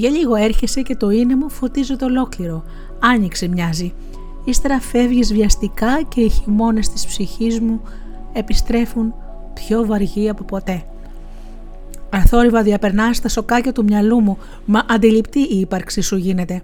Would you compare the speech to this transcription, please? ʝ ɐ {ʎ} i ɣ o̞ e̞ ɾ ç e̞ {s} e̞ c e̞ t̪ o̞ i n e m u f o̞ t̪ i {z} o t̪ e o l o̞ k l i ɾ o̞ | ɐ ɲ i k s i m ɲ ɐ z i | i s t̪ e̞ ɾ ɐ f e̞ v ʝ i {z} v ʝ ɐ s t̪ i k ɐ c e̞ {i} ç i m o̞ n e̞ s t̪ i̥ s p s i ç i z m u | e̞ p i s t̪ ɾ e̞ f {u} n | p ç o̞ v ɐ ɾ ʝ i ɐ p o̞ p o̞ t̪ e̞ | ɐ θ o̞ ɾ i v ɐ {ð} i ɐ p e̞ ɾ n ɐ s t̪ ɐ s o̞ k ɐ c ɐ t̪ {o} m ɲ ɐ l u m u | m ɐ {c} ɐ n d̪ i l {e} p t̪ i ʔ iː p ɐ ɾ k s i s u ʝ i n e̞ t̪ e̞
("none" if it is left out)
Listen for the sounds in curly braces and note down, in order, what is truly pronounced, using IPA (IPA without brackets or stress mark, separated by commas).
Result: ʎ, s, z, z, i, u, ð, u, ʔ, i